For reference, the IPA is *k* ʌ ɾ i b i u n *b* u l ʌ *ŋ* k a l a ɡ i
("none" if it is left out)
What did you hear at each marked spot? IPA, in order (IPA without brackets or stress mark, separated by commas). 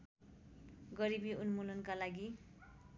ɡ, m, n